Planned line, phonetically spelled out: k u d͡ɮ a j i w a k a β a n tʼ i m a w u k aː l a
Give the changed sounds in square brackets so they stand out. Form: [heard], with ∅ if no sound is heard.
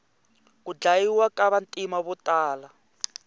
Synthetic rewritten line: k u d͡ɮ a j i w a k a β a n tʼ i m a [β] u [t] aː l a